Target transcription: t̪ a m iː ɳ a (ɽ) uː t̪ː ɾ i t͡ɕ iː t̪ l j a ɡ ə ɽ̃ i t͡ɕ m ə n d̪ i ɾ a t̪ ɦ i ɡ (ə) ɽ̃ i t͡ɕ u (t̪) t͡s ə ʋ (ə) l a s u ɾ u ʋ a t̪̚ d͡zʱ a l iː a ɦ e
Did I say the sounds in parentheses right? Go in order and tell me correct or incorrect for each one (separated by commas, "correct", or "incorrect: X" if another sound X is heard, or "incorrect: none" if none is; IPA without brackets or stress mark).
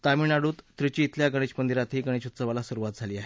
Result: correct, correct, correct, incorrect: a